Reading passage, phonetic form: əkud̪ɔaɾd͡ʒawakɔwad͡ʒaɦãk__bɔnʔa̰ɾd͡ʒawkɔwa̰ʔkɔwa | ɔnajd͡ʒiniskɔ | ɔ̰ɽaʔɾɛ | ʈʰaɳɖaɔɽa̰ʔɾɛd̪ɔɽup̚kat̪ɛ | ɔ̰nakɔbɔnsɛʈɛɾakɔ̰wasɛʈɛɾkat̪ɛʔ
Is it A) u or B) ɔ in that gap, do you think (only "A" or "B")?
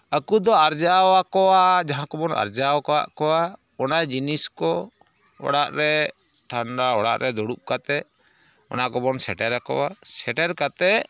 B